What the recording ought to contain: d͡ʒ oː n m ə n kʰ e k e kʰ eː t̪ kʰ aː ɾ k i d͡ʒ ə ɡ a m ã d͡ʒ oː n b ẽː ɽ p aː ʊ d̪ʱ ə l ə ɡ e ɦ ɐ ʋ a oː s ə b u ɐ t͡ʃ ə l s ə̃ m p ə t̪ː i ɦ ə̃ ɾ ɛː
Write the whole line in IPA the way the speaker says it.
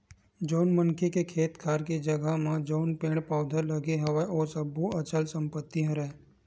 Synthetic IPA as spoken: d͡ʒ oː n m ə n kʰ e k e kʰ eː t̪ kʰ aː ɾ k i d͡ʒ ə ɡ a m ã d͡ʒ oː n p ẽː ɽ p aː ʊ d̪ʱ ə l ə ɡ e ɦ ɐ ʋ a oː s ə b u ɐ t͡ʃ ə l s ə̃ m p ə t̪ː i ɦ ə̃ ɾ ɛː